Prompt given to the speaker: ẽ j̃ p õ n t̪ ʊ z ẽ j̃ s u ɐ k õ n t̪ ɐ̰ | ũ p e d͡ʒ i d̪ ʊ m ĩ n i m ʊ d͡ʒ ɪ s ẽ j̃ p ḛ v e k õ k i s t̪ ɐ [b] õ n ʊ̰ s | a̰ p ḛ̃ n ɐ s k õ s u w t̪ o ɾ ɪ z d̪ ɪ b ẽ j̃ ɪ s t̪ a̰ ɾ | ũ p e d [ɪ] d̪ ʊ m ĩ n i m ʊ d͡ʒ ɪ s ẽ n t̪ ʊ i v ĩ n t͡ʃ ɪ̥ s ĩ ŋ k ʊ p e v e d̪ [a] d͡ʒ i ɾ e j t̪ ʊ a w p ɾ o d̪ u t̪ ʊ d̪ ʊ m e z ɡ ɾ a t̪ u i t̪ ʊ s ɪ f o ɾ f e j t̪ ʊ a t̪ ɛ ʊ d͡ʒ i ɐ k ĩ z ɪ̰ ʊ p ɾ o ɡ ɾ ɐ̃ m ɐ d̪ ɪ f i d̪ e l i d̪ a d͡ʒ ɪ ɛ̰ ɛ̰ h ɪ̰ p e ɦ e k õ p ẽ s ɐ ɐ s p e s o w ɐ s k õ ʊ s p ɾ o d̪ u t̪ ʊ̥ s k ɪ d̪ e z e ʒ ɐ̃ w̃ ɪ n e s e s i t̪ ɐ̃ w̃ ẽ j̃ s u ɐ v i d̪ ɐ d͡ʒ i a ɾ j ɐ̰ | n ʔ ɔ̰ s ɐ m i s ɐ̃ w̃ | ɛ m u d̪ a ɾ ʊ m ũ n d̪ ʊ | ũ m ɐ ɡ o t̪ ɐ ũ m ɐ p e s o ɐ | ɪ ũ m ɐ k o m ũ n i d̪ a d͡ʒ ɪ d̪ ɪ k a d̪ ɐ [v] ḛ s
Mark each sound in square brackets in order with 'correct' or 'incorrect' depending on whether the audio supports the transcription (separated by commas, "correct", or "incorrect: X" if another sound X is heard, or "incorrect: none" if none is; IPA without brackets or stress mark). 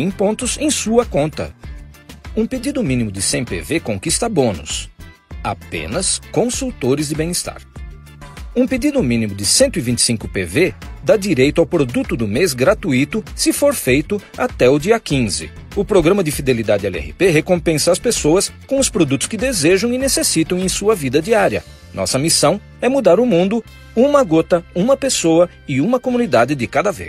correct, incorrect: i, correct, correct